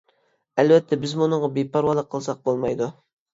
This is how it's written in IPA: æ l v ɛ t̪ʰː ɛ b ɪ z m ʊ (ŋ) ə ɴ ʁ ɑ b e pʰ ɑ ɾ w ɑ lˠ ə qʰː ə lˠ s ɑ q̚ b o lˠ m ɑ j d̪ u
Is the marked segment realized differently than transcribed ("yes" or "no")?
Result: yes